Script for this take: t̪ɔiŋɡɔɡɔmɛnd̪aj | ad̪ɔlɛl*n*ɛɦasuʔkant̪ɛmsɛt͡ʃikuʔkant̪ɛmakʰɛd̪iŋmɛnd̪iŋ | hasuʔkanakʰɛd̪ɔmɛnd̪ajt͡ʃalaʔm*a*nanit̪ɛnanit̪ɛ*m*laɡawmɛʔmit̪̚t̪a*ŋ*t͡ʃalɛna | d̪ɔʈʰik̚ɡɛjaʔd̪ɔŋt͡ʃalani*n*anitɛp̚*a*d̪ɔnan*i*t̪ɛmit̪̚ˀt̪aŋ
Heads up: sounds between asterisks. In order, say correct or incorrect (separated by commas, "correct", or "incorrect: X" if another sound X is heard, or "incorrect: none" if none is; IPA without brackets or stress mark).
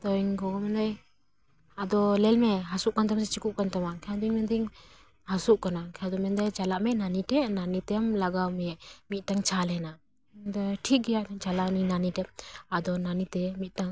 incorrect: m, incorrect: ɛ, correct, correct, correct, correct, correct